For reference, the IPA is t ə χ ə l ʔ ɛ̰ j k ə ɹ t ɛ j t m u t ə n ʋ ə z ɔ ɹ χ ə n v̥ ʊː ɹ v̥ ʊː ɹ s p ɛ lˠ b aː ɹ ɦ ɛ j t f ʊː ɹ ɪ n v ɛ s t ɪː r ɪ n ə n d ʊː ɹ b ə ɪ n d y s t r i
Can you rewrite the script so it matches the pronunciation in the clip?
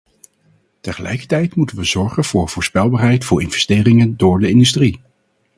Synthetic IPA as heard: t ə χ ə l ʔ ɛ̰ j k ə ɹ t ɛ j t m u t ə n ʋ ə z ɔ ɹ χ ə n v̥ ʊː ɹ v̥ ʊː ɹ s p ɛ lˠ b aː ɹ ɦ ɛ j t f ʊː ɹ ɪ n v ɛ s t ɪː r ɪ ŋ ə n d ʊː ɹ d ə ɪ n d y s t r i